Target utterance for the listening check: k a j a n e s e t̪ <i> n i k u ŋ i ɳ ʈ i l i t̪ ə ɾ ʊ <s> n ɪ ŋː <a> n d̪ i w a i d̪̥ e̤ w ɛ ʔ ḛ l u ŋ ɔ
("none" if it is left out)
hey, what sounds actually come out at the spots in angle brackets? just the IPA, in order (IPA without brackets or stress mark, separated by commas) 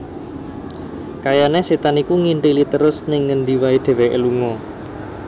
a, s, ə